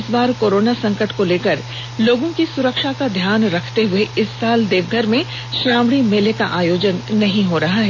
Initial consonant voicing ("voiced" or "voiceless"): voiceless